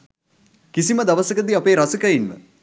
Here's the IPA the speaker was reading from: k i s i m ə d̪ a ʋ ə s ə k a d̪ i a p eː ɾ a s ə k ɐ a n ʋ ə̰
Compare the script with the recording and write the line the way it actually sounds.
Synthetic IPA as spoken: k i s i m ə d̪ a ʋ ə s ə k ə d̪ i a p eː ɾ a s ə k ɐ i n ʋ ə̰